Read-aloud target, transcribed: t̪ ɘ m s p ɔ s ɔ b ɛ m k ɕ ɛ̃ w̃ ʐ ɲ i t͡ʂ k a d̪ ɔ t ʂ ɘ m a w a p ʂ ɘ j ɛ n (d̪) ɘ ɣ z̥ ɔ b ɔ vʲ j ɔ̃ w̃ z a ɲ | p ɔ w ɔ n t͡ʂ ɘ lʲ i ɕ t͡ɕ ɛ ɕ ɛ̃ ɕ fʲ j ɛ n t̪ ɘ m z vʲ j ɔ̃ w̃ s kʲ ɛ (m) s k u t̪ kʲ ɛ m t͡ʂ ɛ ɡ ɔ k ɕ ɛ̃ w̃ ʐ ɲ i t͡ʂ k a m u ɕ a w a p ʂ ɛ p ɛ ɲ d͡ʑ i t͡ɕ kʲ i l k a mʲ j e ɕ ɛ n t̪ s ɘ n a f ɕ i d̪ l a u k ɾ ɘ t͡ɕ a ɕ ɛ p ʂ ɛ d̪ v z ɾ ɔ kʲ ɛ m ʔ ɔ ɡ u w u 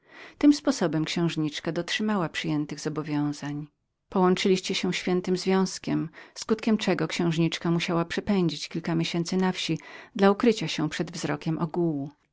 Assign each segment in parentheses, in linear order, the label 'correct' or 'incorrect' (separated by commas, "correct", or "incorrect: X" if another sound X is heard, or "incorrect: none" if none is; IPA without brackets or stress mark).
incorrect: t̪, correct